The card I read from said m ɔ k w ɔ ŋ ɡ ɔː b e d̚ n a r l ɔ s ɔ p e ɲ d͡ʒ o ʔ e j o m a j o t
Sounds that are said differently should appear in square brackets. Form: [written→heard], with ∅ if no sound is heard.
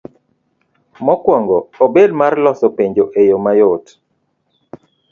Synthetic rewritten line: m ɔ k w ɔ ŋ ɡ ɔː b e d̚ [n→m] a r l ɔ s ɔ p e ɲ d͡ʒ o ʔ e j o m a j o t